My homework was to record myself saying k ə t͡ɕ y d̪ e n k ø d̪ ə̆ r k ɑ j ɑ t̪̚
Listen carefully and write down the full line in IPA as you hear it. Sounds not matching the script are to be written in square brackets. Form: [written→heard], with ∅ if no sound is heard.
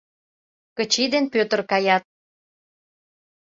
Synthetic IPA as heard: k ə t͡ɕ [y→i] d̪ e n [k→p] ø [d̪→t̪] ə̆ r k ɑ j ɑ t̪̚